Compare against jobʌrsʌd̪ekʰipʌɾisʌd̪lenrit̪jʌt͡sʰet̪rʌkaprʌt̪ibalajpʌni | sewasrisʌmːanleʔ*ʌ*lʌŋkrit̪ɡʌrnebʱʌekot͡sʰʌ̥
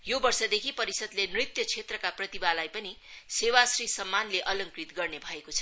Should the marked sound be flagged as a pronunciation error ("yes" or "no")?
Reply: no